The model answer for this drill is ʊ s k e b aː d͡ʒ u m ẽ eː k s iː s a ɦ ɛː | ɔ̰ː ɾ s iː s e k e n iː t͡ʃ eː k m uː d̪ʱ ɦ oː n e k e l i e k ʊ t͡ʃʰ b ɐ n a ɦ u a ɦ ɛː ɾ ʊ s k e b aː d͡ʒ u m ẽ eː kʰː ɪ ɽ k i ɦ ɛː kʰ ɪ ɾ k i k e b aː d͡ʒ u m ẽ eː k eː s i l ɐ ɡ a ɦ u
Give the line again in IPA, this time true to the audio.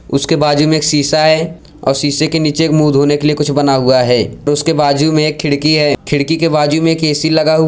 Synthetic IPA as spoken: ʊ s k e b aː d͡ʒ u m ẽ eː k s iː s a ɦ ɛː | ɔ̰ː ɾ s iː s e k e n iː t͡ʃ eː k m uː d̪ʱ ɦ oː n e k e l i e k ʊ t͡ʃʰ b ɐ n a ɦ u a ɦ ɛː ɾ ʊ s k e b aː d͡ʒ u m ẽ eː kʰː ɪ ɽ k i ɦ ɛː kʰ ɪ ɽ k i k e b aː d͡ʒ u m ẽ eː k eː s i l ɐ ɡ a ɦ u